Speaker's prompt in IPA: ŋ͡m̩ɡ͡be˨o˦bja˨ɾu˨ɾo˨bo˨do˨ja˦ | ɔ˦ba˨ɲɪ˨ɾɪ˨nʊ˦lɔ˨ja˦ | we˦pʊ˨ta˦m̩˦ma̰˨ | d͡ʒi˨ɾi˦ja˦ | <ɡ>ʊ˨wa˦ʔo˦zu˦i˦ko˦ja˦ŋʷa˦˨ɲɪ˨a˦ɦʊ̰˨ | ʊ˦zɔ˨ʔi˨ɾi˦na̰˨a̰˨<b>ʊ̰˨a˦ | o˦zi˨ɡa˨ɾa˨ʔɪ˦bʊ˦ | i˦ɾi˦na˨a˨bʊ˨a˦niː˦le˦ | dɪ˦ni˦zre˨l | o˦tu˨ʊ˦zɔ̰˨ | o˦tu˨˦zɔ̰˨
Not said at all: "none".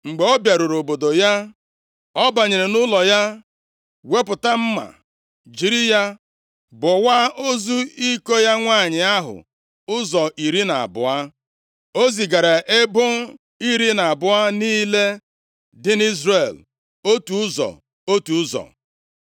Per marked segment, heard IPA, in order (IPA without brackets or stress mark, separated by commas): b, b